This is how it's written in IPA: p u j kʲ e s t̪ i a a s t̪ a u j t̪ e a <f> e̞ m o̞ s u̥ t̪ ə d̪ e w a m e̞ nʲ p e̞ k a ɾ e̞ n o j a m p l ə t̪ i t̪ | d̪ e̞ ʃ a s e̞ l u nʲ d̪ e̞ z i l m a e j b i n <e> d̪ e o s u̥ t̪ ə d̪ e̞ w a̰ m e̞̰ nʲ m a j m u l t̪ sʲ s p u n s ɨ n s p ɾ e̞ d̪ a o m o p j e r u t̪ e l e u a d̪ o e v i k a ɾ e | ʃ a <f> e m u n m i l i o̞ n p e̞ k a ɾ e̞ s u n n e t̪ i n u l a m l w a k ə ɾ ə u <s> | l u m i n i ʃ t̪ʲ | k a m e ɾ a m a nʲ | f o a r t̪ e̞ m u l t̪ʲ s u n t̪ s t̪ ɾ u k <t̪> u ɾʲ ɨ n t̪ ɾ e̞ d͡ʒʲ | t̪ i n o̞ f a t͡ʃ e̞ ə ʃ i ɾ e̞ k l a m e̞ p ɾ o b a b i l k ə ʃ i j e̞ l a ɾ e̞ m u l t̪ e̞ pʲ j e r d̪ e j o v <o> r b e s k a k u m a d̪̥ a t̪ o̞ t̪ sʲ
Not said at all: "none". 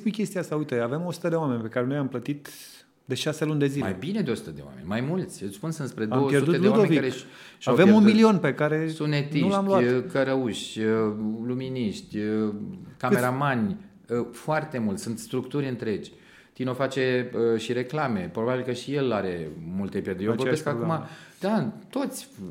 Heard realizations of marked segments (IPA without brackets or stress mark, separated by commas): v, e, v, ʃ, t̪, o